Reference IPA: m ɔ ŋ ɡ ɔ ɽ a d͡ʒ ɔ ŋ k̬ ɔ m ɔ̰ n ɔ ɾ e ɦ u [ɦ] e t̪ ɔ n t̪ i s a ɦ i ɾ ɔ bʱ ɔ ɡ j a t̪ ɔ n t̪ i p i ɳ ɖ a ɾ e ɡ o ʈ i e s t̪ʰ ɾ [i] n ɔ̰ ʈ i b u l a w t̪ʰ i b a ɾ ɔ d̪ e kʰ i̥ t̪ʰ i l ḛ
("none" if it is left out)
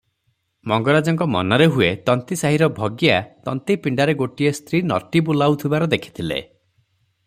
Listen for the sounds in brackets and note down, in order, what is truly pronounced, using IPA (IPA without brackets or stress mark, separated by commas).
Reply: none, i